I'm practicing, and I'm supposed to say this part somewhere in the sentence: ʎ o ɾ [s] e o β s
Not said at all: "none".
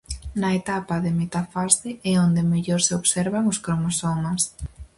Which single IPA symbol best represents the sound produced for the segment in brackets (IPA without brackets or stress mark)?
s